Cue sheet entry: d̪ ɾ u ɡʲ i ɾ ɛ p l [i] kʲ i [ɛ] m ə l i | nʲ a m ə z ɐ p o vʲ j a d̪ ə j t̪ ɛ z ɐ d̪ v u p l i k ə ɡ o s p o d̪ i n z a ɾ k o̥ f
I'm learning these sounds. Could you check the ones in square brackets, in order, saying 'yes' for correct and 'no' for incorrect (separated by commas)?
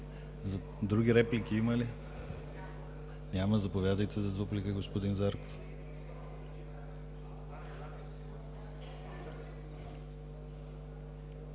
yes, no